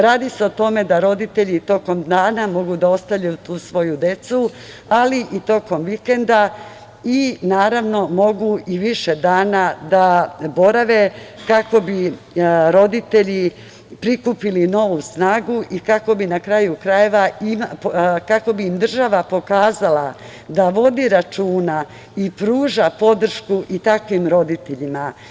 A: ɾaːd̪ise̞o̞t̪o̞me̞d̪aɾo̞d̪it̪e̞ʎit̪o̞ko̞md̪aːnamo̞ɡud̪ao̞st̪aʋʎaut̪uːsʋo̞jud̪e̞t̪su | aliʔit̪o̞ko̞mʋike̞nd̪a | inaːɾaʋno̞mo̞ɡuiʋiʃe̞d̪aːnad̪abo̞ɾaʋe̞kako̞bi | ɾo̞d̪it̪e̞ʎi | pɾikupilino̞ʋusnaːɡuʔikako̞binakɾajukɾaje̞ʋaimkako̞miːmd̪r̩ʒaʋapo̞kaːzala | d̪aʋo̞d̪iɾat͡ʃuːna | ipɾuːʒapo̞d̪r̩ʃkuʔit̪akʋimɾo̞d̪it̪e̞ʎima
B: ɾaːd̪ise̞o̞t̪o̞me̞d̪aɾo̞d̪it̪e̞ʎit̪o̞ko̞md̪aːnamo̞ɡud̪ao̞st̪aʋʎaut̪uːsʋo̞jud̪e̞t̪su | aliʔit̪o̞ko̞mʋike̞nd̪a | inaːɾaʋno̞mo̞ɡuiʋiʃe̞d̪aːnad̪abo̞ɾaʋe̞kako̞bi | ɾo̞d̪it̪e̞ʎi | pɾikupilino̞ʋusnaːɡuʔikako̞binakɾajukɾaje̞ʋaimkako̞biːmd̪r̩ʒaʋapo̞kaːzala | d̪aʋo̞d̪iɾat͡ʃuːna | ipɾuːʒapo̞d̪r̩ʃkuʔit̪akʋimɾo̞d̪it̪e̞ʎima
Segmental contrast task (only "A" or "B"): B